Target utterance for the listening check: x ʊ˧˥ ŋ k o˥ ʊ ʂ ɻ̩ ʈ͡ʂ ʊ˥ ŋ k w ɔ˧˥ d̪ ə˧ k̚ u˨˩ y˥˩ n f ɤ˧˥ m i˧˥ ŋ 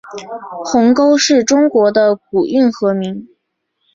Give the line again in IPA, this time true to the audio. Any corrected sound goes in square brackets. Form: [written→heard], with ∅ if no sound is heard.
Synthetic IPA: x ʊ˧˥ ŋ k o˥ ʊ ʂ ɻ̩ ʈ͡ʂ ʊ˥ ŋ k w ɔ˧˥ d̪ ə˧ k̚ u˨˩ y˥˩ n [f→x] ɤ˧˥ m i˧˥ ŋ